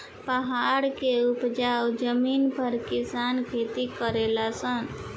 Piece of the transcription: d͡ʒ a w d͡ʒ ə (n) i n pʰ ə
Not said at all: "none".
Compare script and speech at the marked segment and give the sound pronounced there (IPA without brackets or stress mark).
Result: m